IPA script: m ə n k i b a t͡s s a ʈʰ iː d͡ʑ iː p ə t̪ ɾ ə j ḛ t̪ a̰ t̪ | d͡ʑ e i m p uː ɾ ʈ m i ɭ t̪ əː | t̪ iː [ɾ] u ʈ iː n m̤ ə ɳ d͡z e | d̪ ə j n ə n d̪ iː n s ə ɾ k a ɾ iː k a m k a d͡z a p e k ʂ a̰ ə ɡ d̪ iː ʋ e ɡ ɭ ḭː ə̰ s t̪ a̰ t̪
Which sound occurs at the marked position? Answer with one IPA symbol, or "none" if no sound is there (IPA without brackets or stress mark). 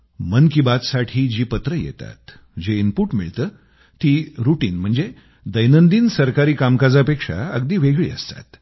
ɾ